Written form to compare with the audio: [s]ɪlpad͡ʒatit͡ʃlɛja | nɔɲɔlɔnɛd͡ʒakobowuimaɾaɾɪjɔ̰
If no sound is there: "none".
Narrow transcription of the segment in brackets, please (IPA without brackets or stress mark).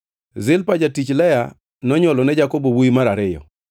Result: z